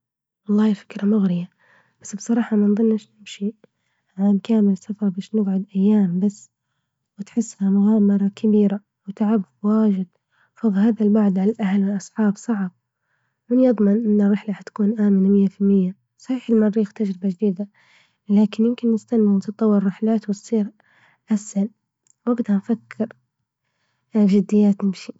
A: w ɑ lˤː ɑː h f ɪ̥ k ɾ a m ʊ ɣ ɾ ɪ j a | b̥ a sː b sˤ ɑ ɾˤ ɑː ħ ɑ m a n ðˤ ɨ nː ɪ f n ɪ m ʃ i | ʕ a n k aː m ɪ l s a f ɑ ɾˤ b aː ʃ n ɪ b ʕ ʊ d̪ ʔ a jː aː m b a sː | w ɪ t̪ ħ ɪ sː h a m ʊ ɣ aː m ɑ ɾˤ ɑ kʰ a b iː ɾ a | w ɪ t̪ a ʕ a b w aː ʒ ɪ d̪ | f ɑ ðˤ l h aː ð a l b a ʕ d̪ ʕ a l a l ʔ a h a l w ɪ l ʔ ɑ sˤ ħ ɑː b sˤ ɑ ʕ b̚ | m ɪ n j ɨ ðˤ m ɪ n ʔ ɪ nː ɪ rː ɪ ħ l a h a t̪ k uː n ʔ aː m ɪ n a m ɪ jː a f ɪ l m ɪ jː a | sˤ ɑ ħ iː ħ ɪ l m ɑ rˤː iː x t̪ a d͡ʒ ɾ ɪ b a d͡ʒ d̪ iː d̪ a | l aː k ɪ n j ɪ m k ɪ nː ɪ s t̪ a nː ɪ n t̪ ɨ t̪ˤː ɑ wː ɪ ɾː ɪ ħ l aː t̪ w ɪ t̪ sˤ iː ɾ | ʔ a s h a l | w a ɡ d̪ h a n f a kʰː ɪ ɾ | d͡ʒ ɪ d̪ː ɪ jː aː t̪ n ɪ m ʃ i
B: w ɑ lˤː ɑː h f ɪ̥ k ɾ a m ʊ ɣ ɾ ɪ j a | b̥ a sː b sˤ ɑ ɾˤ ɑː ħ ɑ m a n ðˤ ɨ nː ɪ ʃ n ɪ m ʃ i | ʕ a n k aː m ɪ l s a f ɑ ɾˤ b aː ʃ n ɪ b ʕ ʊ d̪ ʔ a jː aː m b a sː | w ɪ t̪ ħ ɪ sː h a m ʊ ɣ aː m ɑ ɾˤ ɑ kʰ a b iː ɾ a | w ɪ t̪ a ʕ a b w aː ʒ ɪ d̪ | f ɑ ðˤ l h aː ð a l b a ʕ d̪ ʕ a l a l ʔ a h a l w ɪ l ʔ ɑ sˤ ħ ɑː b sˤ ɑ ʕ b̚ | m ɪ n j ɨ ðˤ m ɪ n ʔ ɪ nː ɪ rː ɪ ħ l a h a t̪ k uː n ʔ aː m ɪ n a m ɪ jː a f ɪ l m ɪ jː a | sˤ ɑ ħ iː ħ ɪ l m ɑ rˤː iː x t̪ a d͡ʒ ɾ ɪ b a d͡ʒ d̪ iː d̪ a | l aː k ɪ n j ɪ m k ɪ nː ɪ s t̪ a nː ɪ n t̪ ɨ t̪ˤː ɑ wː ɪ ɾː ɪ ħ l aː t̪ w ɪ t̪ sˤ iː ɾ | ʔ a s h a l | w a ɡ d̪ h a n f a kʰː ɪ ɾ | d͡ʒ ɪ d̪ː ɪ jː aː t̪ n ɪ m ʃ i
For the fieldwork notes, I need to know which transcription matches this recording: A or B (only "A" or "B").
B